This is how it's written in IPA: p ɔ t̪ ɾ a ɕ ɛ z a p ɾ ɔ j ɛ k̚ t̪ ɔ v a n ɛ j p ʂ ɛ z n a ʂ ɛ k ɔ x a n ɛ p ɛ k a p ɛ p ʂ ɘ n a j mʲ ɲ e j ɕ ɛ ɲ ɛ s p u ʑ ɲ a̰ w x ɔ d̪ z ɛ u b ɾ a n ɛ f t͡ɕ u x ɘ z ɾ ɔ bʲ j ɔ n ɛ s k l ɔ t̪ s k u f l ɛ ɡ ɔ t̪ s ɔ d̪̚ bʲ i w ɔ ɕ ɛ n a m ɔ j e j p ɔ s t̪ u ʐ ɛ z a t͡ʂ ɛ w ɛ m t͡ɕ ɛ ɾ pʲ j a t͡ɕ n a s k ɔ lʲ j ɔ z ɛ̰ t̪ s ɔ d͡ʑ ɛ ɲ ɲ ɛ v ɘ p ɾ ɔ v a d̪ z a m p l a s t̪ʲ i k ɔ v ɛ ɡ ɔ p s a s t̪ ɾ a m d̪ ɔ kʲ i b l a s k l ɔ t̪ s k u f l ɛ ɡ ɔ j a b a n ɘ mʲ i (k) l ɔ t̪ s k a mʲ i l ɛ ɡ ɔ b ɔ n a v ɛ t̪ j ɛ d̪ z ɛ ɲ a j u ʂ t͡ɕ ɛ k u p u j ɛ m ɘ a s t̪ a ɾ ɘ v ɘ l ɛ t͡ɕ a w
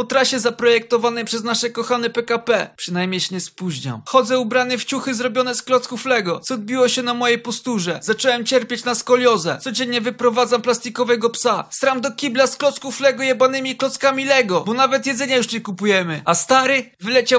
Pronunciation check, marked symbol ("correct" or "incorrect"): correct